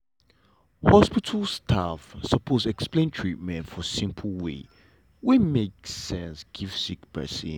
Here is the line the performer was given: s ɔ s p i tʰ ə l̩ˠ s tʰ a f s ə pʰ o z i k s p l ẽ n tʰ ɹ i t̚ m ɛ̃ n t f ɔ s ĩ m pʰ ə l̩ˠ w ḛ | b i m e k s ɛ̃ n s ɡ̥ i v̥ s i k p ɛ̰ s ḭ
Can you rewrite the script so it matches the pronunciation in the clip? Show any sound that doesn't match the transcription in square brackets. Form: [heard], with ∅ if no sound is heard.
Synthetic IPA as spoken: [h] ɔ s p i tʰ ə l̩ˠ s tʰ a f s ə pʰ o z [ɛ] k s p l ẽ n tʰ ɹ i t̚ m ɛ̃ n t f ɔ s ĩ m pʰ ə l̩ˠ w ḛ | [w] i m e k s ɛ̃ n s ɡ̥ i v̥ s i k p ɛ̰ s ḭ